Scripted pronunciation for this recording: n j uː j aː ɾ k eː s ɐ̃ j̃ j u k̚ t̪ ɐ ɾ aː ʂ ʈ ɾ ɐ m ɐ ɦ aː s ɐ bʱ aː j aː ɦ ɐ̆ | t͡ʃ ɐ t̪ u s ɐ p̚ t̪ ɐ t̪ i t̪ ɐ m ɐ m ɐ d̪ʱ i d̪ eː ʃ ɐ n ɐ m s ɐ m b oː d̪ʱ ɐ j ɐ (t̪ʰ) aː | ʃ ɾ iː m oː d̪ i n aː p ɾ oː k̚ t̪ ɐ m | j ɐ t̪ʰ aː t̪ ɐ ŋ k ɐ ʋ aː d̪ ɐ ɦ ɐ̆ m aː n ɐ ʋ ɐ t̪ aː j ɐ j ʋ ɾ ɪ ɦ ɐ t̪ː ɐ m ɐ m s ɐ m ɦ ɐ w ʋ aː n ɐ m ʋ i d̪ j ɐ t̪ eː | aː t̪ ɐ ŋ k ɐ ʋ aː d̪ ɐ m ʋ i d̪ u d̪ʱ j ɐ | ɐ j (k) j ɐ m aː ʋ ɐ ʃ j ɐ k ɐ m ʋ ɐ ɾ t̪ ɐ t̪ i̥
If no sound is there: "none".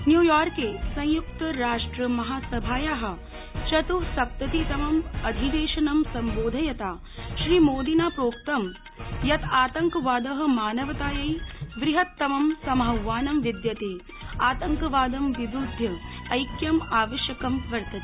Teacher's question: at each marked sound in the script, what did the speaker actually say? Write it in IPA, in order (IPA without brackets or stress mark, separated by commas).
t̪, k